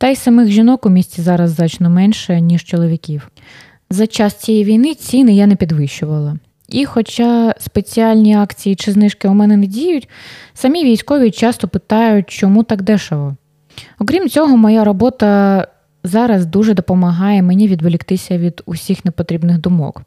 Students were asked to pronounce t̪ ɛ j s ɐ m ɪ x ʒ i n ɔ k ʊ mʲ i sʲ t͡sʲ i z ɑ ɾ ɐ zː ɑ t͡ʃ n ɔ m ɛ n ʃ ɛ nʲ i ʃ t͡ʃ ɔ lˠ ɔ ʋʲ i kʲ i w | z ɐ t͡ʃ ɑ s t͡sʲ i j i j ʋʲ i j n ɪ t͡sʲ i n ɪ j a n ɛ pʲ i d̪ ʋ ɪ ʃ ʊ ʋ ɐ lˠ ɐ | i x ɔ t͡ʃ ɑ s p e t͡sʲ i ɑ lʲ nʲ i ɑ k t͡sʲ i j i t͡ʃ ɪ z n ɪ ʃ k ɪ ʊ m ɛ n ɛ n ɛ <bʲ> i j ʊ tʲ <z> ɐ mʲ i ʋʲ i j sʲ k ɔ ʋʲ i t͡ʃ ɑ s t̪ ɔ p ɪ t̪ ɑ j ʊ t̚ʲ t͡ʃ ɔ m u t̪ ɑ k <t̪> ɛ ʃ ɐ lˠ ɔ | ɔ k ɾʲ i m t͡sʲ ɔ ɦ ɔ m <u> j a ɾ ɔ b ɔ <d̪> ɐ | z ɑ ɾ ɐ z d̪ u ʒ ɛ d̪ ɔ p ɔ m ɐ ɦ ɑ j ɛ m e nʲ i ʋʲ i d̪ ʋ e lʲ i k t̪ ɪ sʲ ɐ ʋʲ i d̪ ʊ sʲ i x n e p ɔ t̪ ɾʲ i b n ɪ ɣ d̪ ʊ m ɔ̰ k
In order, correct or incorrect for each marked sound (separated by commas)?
incorrect, incorrect, incorrect, incorrect, incorrect